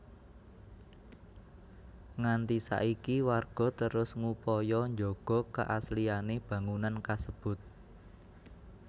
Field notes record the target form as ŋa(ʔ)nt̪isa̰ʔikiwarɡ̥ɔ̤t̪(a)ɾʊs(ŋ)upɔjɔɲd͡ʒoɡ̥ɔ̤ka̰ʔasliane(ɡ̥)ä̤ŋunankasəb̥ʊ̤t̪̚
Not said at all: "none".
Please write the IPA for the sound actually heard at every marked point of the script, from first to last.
none, ə, ŋ, b̥

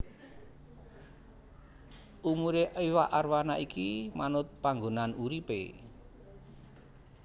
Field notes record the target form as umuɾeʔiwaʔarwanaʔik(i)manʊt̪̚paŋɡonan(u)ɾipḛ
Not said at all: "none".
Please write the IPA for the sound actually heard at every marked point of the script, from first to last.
i, u

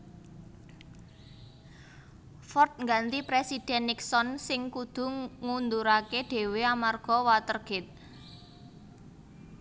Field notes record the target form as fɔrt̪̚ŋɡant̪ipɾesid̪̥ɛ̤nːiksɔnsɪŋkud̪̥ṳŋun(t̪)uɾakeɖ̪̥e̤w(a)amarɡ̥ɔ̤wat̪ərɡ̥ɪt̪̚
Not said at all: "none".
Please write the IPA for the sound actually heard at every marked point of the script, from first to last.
d̪, e

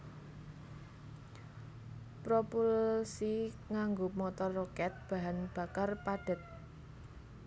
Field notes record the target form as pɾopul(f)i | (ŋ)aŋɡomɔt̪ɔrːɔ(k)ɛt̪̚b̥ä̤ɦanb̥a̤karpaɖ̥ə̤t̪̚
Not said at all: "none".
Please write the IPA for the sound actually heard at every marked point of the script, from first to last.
s, ŋ, k

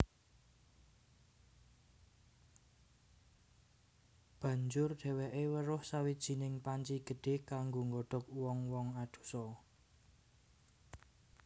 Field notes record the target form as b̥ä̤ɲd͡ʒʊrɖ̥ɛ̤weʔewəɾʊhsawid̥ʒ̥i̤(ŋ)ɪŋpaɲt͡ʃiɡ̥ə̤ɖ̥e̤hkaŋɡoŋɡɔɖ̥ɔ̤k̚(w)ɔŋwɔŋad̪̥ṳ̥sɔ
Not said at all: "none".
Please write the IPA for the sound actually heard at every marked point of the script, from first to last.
n, w

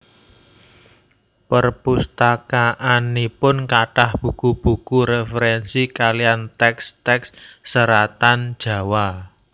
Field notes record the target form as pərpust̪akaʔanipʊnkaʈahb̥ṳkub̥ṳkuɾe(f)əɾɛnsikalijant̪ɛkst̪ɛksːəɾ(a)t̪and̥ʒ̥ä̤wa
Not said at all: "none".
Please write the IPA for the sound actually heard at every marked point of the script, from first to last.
f, a

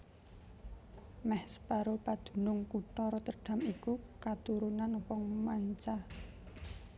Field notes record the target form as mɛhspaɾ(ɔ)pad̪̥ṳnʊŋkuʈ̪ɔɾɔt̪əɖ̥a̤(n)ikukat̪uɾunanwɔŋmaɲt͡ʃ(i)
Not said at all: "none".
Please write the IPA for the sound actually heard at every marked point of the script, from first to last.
o, m, a

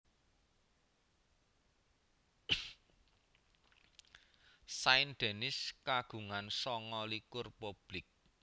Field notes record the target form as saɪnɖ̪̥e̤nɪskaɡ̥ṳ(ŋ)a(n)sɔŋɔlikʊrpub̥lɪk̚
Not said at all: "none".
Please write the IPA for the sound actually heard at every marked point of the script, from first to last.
ŋ, n

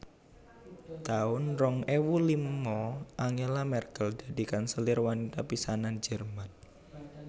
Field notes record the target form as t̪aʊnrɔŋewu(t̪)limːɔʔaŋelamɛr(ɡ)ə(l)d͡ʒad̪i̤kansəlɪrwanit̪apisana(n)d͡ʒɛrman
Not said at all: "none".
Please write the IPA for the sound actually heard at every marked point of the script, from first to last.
none, k, l, n

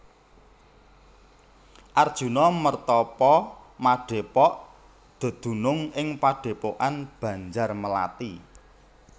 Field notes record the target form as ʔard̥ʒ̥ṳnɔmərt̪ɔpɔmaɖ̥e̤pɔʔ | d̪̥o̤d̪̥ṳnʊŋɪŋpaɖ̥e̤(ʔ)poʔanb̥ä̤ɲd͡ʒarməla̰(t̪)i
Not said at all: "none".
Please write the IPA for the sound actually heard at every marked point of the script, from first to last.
none, t̪

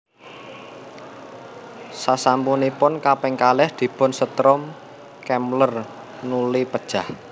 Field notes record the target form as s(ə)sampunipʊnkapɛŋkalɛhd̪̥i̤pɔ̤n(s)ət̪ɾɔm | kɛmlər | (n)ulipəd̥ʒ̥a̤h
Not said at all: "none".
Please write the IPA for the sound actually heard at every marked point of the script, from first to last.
a, s, n

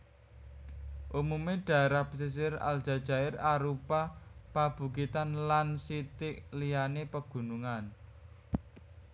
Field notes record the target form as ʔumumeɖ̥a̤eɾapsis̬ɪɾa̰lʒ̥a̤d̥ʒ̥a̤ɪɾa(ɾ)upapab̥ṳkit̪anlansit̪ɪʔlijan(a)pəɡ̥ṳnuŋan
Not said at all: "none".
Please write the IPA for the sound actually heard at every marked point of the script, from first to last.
ɾ, e

